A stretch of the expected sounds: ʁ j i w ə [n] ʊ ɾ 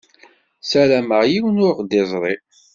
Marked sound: correct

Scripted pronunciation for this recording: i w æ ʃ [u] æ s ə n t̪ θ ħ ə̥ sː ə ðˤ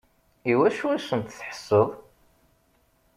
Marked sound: correct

